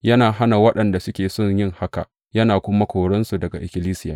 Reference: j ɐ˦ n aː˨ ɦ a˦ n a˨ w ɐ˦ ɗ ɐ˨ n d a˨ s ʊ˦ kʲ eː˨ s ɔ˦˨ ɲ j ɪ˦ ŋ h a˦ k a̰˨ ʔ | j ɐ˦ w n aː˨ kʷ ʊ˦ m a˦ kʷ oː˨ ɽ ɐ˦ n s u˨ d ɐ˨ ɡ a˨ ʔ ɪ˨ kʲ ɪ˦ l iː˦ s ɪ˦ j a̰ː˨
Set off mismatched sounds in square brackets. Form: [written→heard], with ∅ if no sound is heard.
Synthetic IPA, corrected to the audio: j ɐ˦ n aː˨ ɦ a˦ n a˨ w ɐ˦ ɗ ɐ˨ n d a˨ s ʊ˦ kʲ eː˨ s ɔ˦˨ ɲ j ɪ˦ ŋ h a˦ k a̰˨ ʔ | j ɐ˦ [w→∅] n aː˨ kʷ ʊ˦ m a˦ kʷ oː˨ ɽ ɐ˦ n s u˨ d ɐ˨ ɡ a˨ ʔ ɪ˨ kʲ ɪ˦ l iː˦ s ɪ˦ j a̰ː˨